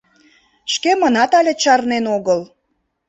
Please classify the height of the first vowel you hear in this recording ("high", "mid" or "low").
mid